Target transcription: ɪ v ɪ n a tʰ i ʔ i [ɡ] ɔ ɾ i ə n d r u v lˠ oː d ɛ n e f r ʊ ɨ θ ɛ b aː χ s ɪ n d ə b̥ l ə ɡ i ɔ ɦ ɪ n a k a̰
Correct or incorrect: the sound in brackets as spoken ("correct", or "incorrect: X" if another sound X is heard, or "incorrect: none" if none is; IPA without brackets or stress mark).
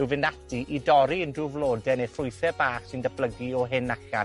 incorrect: d